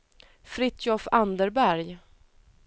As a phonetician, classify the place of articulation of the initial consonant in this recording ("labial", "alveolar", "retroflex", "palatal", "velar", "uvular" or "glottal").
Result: labial